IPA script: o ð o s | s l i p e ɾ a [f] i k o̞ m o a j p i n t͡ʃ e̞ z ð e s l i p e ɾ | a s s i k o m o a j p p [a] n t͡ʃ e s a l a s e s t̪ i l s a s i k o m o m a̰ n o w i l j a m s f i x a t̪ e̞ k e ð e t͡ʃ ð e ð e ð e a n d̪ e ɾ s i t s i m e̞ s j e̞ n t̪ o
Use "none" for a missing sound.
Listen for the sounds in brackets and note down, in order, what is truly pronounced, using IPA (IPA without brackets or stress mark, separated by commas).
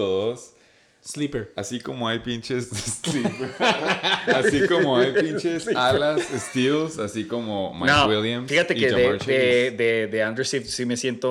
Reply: s, i